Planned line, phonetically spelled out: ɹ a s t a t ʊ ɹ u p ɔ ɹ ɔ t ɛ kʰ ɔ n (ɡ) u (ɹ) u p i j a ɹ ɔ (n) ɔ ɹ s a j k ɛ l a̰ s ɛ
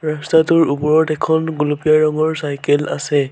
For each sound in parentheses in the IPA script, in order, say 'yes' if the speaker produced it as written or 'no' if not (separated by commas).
yes, no, no